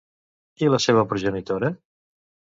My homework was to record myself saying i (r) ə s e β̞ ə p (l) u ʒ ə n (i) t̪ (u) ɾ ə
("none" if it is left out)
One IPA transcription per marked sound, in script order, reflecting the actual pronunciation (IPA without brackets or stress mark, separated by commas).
l, ɾ, i, o